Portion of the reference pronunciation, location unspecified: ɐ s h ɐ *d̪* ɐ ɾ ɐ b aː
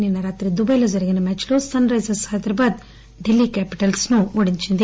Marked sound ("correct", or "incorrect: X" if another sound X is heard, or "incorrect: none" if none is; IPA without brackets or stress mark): correct